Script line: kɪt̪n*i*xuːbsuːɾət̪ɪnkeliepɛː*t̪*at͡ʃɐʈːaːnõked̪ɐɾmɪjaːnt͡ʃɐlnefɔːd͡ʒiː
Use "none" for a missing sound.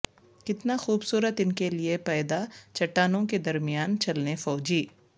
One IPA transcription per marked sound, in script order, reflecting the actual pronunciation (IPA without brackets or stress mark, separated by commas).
a, d̪